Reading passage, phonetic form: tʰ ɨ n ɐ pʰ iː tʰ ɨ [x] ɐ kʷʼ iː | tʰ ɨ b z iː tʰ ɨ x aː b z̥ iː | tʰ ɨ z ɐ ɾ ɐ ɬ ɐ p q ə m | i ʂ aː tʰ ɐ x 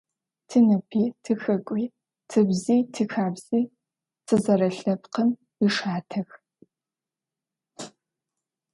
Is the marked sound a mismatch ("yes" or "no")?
no